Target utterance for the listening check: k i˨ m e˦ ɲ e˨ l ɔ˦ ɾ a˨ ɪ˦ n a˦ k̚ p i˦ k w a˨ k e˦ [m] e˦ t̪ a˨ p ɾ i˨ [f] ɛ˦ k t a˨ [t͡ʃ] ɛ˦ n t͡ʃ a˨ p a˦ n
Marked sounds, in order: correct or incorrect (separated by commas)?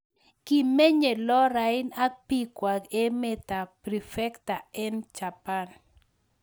correct, correct, incorrect